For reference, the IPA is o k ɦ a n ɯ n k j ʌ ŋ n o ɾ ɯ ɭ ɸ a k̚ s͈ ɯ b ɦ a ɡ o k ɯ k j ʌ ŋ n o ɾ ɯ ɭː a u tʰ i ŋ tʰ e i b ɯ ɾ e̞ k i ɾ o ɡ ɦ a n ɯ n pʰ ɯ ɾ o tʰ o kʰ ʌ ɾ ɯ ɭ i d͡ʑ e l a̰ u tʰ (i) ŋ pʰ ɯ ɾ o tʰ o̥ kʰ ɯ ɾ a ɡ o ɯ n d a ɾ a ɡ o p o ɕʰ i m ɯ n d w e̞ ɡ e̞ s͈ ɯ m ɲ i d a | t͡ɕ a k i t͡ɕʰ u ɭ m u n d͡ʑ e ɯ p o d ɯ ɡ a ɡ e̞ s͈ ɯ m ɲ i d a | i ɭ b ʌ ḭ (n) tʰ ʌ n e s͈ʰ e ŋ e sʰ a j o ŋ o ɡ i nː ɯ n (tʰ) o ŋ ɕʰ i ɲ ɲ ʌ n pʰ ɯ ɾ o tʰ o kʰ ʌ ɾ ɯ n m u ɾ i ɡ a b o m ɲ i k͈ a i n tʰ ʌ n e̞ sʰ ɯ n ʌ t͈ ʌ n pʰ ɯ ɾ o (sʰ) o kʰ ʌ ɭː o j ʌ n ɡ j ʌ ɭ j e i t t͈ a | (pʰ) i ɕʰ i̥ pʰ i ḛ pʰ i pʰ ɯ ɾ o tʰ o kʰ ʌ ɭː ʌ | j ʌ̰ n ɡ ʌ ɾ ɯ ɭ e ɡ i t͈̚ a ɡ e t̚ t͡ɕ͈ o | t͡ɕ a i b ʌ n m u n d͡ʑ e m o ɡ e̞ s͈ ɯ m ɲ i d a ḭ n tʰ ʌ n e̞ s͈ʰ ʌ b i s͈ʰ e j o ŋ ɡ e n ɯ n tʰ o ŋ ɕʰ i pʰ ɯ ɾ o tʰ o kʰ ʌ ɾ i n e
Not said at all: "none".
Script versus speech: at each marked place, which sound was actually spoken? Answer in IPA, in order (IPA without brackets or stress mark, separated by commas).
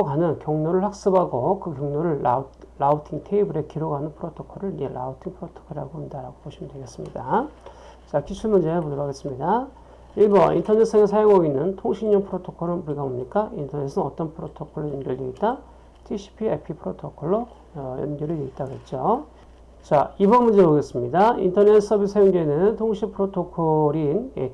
i, n, tʰ, tʰ, tʰ